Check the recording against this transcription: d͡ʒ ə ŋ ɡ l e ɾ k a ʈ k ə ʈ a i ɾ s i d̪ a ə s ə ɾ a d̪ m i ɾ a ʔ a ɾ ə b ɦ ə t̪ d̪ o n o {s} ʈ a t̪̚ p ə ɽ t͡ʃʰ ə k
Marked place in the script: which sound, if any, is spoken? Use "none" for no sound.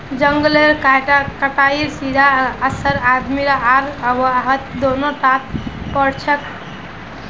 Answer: none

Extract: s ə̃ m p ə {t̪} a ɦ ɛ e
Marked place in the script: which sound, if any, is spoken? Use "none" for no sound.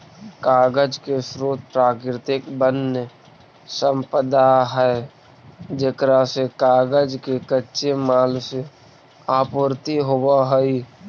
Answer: d̪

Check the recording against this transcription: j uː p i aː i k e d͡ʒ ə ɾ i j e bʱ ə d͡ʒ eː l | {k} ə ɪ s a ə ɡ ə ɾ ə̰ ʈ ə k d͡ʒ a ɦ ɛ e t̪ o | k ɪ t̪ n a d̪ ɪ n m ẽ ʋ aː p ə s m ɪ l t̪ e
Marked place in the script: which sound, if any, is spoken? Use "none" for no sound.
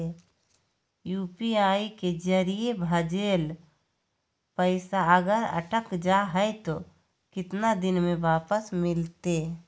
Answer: p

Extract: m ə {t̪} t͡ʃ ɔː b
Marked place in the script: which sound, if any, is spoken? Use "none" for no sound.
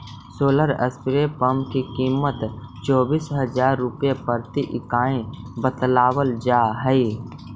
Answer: t̪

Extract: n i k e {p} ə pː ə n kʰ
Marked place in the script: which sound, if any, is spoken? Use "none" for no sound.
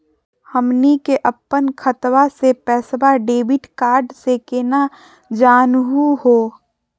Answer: ʔ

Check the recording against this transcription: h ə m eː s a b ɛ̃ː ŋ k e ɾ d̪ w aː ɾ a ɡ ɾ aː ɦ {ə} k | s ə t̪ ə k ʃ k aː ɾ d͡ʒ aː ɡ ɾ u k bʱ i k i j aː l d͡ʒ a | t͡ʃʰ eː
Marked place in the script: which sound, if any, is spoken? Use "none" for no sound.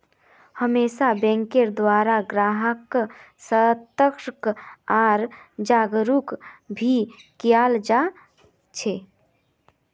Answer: ə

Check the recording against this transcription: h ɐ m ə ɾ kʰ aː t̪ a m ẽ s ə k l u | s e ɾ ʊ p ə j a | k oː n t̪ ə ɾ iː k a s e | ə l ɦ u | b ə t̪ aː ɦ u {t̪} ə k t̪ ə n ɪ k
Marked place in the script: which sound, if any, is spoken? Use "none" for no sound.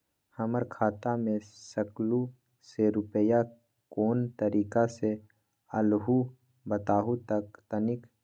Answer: t̪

